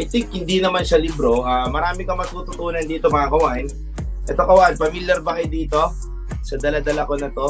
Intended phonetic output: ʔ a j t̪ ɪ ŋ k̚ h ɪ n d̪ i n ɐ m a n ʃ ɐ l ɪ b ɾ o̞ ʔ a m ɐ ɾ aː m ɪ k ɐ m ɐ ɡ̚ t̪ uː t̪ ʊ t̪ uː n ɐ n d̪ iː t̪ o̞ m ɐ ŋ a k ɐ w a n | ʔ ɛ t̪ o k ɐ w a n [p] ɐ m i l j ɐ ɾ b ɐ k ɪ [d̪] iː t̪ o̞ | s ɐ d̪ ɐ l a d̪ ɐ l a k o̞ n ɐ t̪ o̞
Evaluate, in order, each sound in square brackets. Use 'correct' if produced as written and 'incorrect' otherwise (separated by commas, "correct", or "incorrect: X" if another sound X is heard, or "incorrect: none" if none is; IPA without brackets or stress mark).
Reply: correct, correct